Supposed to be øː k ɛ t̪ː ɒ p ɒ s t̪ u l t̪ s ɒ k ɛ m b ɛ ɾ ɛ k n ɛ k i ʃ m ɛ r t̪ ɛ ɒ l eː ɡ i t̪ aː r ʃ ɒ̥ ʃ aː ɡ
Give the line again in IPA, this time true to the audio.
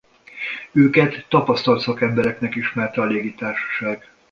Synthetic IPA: øː k ɛ t̪ː ɒ p ɒ s t̪ ɒ l t̪ s ɒ k ɛ m b ɛ ɾ ɛ k n ɛ k i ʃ m ɛ r t̪ ɛ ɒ l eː ɡ i t̪ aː r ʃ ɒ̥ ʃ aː ɡ

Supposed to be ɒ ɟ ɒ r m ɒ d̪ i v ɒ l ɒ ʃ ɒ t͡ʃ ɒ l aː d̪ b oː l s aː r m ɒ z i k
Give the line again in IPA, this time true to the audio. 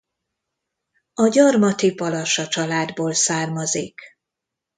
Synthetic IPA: ɒ ɟ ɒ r m ɒ t̪ i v ɒ l ɒ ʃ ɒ t͡ʃ ɒ l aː d̪ b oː l s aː r m ɒ z i k

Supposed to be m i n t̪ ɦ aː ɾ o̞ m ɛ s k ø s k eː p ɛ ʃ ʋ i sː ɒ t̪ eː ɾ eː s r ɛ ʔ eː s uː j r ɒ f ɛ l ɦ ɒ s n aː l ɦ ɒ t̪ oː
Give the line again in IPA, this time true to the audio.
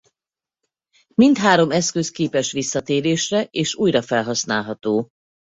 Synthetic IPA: m i n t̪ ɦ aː ɾ o̞ m ɛ s k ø s k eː p ɛ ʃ ʋ i sː ɒ t̪ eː ɾ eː ʃ r ɛ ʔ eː ʃ uː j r ɒ f ɛ l ɦ ɒ s n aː l ɦ ɒ t̪ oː

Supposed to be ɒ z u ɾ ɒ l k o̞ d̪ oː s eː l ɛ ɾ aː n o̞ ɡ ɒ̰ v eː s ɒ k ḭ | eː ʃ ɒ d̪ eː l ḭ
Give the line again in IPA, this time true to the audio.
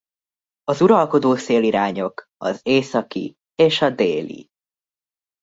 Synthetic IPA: ɒ z u ɾ ɒ l k o̞ d̪ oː s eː l i ɾ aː ɲ o̞ k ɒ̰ z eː s ɒ k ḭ | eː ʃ ɒ d̪ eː l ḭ

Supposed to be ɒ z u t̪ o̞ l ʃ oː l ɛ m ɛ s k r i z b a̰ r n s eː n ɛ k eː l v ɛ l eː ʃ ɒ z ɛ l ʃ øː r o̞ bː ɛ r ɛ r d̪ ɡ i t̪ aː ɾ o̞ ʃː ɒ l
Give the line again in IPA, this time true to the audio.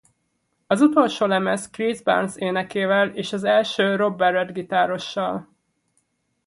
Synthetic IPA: ɒ z u t̪ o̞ l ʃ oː l ɛ m ɛ s k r i z b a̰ r n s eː n ɛ k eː v ɛ l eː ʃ ɒ z ɛ l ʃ øː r o̞ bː ɛ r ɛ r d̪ ɡ i t̪ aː ɾ o̞ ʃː ɒ l

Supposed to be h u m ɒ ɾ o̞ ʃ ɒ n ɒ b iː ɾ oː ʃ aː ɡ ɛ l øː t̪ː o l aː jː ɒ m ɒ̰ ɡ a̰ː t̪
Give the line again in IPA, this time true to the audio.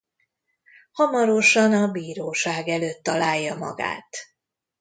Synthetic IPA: h ɒ m ɒ ɾ o̞ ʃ ɒ n ɒ b iː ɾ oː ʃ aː ɡ ɛ l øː t̪ː ɒ l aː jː ɒ m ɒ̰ ɡ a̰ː t̪

